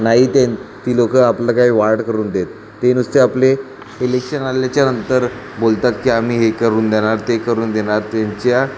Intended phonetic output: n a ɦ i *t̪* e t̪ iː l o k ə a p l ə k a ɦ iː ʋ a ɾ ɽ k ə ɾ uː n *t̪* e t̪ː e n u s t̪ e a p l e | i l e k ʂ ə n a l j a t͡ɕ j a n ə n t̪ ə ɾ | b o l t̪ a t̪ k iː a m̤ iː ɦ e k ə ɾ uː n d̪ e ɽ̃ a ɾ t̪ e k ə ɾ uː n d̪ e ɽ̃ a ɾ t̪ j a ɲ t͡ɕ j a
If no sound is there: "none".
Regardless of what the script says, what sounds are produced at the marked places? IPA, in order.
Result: t̪, d̪

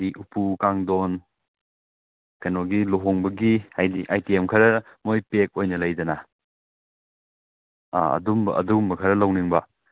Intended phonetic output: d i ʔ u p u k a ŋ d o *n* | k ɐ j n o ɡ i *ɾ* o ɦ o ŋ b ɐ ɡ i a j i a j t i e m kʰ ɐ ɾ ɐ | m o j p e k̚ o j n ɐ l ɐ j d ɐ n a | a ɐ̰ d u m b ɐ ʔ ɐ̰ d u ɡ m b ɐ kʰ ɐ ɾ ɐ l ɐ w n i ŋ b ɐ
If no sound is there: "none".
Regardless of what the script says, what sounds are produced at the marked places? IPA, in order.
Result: n, l

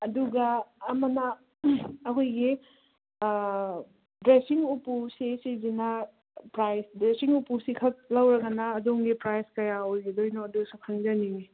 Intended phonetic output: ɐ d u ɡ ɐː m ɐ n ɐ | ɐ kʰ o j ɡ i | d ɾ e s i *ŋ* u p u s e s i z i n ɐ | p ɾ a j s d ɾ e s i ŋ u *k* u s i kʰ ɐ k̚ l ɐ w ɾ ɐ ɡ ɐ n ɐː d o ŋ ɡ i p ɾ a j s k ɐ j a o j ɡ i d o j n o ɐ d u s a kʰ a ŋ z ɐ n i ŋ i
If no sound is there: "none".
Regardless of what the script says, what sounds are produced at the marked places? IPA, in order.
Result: ŋ, p

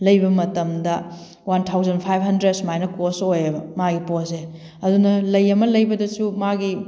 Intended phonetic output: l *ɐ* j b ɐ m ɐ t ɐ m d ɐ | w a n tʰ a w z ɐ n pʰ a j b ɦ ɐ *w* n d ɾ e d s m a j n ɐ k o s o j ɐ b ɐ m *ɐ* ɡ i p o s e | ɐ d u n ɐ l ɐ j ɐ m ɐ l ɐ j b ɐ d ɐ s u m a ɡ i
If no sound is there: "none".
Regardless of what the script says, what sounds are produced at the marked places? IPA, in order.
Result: ɐ, none, a

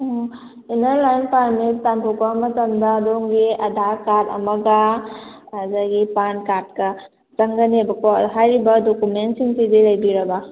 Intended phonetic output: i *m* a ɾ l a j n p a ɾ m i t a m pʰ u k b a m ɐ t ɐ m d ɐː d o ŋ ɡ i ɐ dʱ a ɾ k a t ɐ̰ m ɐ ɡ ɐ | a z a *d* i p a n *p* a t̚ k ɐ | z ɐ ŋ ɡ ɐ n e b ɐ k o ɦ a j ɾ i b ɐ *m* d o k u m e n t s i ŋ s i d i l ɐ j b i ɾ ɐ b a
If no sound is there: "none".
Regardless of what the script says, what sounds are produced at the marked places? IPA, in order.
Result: n, ɡ, k, none

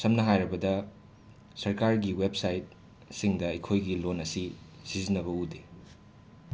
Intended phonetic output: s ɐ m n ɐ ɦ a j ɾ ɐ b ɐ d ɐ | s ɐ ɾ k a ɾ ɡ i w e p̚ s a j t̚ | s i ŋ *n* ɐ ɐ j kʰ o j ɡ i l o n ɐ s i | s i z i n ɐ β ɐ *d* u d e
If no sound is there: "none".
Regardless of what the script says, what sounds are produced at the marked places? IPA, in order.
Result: d, none

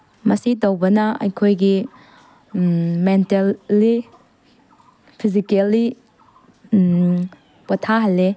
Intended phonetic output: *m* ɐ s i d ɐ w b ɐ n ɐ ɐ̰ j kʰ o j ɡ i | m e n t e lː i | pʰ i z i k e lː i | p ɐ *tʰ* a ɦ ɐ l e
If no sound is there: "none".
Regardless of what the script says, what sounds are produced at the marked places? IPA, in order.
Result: m, tʰ

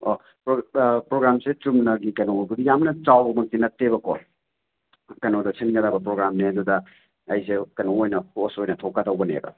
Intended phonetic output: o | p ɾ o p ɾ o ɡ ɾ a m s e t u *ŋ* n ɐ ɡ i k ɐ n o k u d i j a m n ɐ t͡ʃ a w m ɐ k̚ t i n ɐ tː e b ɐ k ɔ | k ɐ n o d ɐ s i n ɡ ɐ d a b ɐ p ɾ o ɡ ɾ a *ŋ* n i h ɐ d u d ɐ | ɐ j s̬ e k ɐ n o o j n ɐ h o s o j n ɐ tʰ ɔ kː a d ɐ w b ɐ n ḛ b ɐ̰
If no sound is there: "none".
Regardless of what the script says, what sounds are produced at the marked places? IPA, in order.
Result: m, m

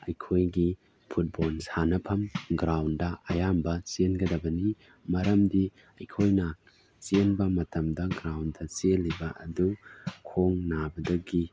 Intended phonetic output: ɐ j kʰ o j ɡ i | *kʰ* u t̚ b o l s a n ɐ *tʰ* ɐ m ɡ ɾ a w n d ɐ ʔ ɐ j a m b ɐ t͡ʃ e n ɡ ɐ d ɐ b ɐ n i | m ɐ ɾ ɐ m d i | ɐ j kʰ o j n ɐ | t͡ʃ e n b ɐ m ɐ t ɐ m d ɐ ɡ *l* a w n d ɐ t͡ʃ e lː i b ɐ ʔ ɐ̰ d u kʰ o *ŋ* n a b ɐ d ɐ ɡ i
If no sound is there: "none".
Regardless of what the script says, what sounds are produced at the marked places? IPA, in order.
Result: pʰ, pʰ, ɾ, ŋ

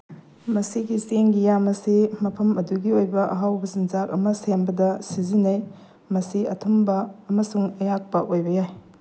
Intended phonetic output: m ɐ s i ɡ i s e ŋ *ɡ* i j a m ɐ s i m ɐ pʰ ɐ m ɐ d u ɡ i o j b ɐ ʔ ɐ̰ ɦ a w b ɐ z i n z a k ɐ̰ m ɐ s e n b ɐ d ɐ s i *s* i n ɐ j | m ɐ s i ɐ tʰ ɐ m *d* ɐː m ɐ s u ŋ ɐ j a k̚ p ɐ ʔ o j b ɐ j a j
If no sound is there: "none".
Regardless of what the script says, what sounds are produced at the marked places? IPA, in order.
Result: ɡ, z, b

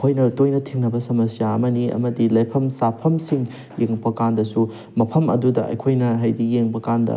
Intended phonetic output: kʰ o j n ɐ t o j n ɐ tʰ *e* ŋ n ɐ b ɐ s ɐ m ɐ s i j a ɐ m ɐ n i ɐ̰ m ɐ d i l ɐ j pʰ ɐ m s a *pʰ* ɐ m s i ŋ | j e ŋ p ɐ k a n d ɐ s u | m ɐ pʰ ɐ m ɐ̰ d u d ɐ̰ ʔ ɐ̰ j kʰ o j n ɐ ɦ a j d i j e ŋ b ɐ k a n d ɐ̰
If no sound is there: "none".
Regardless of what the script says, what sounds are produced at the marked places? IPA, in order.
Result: i, pʰ

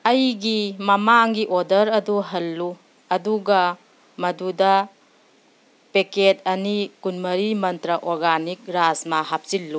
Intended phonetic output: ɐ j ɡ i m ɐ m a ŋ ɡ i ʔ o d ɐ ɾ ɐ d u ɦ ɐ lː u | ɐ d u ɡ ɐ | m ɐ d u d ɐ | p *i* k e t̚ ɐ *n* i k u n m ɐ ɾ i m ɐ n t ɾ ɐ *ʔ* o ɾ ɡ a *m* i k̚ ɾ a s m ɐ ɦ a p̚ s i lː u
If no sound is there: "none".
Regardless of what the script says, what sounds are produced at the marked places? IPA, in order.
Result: e, n, ʔ, n

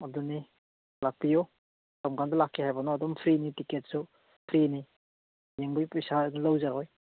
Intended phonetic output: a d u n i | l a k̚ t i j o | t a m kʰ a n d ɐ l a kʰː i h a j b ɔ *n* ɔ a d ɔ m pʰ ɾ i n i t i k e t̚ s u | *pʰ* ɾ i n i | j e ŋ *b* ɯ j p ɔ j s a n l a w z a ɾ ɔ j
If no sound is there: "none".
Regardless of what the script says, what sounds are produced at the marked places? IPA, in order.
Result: n, pʰ, b

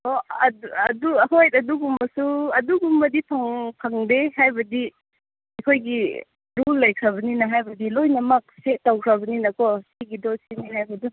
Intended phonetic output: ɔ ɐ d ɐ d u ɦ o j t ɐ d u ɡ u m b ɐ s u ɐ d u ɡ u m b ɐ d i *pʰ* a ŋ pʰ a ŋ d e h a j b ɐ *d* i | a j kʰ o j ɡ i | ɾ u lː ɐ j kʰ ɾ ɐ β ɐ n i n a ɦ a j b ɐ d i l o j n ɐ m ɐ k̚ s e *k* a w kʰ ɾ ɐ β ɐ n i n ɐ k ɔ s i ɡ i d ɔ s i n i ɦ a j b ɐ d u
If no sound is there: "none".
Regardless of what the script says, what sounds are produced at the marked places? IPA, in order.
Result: pʰ, d, t

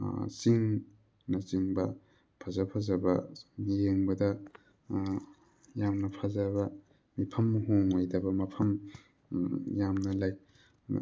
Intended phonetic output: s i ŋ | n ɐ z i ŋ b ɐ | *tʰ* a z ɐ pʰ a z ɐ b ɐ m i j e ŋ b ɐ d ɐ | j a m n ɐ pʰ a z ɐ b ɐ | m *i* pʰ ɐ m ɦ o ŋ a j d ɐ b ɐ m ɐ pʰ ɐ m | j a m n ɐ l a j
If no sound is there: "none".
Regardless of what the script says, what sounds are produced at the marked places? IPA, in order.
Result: pʰ, i

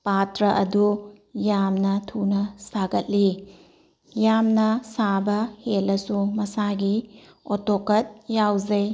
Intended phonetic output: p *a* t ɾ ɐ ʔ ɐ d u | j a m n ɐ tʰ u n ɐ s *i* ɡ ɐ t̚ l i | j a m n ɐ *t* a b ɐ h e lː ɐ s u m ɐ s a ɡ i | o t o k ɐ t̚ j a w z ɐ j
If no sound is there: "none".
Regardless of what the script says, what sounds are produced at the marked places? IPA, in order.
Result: a, a, s

